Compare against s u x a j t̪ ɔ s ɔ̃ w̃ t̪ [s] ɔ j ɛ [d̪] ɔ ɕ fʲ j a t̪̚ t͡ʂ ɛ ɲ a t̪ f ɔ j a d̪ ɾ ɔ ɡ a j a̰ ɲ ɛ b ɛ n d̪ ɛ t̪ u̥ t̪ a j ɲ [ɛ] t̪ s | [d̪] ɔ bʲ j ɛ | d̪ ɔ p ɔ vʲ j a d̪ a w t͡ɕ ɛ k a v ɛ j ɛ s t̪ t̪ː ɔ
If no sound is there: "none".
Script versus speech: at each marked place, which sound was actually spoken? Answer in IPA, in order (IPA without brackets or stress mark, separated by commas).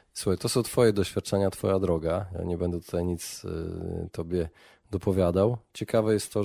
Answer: f, d̪, i, t̪